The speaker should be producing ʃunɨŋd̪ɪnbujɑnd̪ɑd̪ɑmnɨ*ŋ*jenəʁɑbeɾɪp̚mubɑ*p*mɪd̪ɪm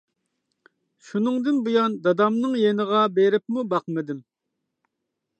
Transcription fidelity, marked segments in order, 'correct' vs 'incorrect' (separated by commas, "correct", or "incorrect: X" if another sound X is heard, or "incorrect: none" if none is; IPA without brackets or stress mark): correct, incorrect: q